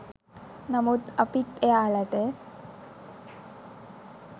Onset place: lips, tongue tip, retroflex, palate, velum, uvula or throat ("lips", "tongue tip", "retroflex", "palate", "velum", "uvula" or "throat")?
tongue tip